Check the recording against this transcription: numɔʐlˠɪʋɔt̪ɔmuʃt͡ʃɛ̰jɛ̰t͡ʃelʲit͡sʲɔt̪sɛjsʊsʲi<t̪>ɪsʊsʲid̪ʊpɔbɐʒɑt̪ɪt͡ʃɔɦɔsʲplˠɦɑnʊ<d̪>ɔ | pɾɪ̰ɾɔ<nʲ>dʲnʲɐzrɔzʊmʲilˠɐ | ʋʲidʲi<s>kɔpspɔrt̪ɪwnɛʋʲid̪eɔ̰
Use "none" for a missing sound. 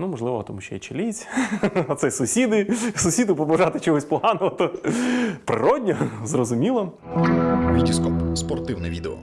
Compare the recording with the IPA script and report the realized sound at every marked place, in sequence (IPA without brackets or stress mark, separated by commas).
d̪, t̪, none, s